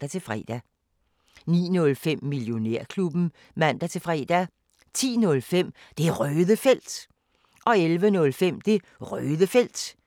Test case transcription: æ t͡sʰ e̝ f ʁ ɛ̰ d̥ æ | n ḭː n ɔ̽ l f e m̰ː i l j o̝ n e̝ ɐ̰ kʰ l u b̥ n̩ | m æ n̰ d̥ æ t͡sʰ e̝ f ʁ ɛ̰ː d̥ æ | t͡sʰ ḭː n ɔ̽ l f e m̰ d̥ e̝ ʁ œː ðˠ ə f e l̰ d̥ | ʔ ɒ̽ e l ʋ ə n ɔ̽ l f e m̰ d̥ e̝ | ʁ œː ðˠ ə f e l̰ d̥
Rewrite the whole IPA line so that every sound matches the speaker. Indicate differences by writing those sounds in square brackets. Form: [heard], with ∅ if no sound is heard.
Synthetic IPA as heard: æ t͡sʰ e̝ f ʁ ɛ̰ d̥ æ | n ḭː n ɔ̽ l f e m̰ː i l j o̝ n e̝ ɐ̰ kʰ l u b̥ n̩ | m æ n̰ d̥ æ t͡sʰ e̝ f ʁ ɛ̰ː d̥ æ | t͡sʰ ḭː n ɔ̽ l f e m̰ d̥ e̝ ʁ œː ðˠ ə f e l̰ d̥ | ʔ ɒ̽ e l ʋ ə n ɔ̽ l f e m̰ d̥ e̝ | ʁ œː ðˠ ə f e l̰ d̥